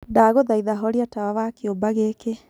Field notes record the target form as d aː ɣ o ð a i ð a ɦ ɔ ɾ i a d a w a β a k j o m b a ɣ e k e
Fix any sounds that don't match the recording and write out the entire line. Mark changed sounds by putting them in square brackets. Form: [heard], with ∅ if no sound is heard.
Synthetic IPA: d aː ɣ o ð a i ð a ɦ ɔ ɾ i a [t] a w a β a k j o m b a ɣ e k e